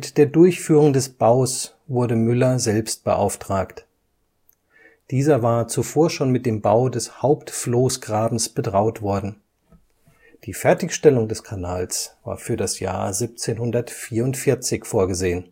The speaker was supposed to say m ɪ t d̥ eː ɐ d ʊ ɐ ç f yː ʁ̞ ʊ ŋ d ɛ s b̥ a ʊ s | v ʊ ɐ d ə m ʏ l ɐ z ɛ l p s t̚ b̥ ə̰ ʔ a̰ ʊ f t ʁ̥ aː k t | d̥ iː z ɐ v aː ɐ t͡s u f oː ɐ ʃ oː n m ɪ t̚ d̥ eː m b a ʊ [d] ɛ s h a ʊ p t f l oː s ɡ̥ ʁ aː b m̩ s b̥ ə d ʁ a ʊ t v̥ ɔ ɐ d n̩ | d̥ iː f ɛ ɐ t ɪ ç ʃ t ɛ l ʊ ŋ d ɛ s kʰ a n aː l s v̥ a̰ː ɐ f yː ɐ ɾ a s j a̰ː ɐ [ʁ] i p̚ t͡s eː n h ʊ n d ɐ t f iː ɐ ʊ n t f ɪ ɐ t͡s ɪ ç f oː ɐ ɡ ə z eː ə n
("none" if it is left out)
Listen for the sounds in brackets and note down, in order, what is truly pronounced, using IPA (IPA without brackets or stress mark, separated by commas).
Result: d, z